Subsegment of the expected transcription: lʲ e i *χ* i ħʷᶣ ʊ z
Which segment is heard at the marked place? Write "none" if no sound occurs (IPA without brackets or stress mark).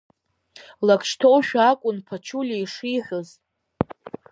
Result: ʂ